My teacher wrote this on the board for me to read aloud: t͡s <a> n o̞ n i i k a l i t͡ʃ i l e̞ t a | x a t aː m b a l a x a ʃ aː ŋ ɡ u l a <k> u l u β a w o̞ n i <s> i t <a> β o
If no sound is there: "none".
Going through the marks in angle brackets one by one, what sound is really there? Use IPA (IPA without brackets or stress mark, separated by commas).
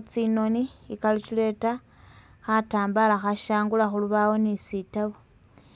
i, x, s, a